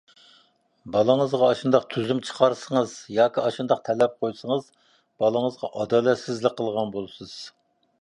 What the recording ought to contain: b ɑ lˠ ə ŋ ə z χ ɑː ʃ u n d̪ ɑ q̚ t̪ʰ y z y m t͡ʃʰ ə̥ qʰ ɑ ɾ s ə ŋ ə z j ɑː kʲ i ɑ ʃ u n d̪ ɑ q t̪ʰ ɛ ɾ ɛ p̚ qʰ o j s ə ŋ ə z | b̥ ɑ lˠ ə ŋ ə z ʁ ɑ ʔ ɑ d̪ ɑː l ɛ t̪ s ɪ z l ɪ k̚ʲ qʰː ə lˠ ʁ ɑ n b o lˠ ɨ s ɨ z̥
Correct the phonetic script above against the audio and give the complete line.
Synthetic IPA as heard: b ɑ lˠ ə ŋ ə z ʁ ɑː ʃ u n d̪ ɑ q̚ t̪ʰ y z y m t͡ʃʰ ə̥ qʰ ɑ ɾ s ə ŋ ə z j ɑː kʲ i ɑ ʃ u n d̪ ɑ q t̪ʰ ɛ l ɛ p̚ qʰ o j s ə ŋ ə z | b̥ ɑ lˠ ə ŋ ə z ʁ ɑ ʔ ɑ d̪ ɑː l ɛ t̪ s ɪ z l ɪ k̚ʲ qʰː ə lˠ ʁ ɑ n b o lˠ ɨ s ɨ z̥